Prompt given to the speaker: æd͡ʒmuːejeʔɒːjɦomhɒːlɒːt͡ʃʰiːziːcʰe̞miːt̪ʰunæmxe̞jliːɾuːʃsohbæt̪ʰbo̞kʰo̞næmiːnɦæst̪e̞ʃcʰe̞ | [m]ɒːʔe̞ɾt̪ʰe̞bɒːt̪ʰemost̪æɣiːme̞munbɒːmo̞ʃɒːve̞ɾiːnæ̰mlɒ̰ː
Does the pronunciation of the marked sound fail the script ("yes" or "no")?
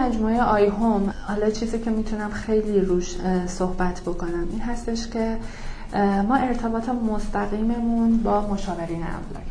no